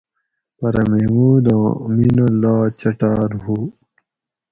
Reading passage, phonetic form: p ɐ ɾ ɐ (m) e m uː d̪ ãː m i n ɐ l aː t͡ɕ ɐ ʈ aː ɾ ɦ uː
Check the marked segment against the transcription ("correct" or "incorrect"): correct